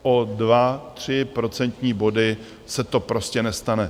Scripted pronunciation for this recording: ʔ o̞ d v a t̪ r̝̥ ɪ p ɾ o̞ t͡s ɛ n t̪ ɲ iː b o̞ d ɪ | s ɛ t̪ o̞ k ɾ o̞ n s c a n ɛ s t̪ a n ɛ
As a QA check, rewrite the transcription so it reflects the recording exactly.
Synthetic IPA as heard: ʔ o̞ d v a t̪ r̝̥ ɪ p ɾ o̞ t͡s ɛ n t̪ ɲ iː b o̞ d ɪ | s ɛ t̪ o̞ p ɾ o̞ s c ɛ n ɛ s t̪ a n ɛ